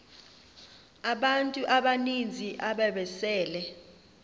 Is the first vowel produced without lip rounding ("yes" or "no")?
yes